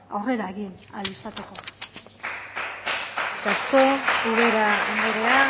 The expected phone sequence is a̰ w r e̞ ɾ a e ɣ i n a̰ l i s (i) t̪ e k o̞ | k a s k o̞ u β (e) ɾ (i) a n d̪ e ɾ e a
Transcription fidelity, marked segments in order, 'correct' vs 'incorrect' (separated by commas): incorrect, correct, incorrect